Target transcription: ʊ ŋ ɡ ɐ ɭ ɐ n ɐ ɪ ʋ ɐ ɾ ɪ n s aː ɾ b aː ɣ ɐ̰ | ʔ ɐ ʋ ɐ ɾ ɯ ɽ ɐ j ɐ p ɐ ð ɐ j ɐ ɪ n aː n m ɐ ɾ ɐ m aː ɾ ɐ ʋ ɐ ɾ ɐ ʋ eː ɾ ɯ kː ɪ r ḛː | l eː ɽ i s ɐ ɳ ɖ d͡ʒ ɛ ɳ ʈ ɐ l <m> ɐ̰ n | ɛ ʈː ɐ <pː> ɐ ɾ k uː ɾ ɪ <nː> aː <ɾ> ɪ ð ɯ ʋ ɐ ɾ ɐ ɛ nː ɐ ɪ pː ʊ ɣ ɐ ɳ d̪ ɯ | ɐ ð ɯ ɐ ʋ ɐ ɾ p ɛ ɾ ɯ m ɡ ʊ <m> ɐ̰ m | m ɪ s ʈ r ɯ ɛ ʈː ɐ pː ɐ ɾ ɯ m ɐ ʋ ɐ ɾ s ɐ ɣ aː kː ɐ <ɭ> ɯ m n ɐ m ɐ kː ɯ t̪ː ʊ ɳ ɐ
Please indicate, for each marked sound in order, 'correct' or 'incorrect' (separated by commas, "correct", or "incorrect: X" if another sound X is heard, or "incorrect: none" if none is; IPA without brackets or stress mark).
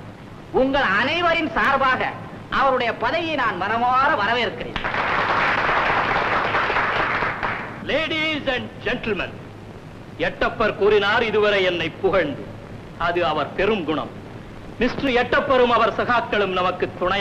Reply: correct, correct, incorrect: n, correct, incorrect: ɳ, correct